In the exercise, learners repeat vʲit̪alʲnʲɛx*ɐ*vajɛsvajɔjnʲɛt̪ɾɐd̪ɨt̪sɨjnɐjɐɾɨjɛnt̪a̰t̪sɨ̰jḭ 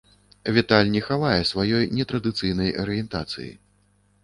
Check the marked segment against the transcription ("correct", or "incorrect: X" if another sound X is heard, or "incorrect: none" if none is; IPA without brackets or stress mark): incorrect: a